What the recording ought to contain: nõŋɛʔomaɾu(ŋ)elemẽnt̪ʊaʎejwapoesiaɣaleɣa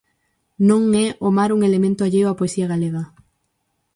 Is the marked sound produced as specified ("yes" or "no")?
yes